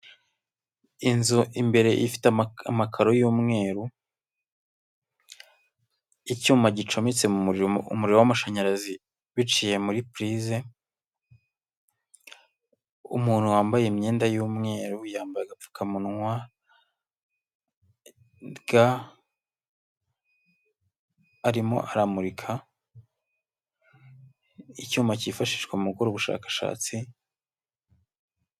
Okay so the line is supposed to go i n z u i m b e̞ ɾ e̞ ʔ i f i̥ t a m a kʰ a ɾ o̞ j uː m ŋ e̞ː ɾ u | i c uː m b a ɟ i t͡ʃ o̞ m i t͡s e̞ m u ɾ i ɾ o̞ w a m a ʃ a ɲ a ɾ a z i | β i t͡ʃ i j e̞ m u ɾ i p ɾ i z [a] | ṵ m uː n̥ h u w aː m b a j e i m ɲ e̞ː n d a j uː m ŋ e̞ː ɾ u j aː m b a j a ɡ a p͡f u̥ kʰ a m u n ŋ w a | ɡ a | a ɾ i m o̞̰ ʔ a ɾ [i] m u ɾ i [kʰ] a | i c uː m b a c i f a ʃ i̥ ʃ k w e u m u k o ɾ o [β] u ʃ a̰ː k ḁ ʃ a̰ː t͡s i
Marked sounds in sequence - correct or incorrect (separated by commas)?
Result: incorrect, incorrect, correct, correct